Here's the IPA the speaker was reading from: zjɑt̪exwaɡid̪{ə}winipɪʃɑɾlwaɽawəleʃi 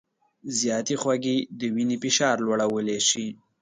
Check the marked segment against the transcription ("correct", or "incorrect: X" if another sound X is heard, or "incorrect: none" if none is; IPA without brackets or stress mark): correct